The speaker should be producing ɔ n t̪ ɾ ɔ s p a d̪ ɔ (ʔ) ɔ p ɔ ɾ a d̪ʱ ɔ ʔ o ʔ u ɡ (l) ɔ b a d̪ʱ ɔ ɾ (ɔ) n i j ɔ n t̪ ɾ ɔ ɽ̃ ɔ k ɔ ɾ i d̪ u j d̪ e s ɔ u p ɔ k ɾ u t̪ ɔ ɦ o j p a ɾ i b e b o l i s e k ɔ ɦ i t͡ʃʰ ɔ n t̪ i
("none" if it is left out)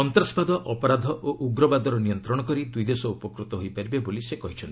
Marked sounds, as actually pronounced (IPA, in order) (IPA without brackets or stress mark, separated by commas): ʔ, ɾ, ɔ